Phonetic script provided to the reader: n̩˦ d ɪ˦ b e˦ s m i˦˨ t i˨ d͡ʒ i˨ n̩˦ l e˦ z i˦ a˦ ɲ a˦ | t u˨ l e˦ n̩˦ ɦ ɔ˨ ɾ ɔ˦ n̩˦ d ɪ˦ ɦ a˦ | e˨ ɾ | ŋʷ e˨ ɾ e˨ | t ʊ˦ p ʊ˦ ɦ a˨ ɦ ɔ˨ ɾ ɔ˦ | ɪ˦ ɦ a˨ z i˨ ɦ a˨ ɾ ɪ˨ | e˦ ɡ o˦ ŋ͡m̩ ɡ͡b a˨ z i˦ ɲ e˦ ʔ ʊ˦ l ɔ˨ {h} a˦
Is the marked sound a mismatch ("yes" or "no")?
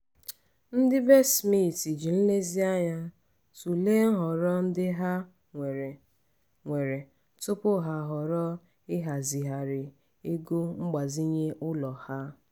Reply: no